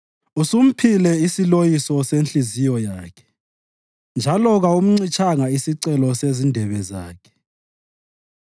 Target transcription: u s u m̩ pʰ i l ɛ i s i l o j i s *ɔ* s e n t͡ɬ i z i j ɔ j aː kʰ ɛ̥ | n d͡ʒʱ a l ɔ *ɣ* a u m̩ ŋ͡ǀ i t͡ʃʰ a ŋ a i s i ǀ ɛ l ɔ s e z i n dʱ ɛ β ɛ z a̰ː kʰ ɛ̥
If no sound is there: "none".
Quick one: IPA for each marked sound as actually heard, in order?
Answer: ɔ, ɣ

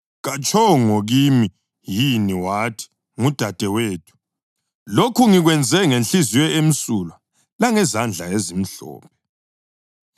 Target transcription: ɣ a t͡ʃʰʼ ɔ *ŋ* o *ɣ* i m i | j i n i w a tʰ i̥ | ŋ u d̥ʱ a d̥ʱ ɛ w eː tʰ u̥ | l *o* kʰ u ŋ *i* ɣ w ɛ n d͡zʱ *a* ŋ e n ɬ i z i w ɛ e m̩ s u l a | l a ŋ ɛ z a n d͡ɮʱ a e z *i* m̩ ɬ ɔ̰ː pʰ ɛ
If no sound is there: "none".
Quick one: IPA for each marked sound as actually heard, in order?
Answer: ŋ, ɣ, o, i, ɛ, i

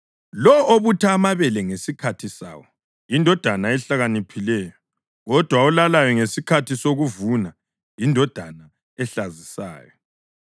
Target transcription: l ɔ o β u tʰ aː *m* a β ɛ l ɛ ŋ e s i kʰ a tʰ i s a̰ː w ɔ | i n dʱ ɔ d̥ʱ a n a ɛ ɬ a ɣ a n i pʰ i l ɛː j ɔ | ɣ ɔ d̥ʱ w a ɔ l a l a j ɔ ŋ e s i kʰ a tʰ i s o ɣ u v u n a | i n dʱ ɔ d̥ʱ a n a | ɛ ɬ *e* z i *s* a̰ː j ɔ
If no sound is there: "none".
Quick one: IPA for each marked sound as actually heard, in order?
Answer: m, a, s

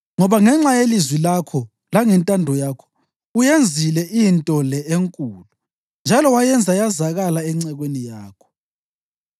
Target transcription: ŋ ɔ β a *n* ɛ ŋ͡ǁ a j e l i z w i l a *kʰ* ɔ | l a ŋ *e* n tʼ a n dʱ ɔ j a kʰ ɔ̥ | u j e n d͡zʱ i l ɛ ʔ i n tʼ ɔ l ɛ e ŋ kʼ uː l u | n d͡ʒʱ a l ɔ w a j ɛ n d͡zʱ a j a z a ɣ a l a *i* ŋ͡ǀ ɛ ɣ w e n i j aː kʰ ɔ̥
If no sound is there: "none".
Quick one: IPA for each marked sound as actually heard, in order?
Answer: ŋ, kʰ, ɛ, ɛ

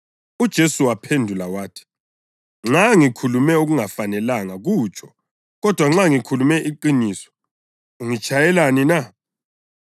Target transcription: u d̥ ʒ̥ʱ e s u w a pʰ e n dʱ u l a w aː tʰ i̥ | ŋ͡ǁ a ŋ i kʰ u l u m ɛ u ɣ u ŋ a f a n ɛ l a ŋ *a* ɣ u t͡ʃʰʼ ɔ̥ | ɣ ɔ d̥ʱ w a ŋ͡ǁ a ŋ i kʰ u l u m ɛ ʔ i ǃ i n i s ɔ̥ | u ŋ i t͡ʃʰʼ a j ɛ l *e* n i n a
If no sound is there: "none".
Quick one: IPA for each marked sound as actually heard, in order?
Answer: a, a

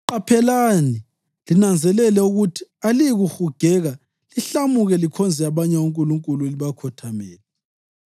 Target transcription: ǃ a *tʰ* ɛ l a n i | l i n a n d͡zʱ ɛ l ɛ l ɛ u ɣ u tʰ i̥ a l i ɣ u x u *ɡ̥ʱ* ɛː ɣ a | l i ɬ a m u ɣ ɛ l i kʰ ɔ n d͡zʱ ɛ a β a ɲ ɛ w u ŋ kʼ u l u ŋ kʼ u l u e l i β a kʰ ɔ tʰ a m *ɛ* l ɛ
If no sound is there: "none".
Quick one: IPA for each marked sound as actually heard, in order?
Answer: pʰ, ɡ̥ʱ, ɛː

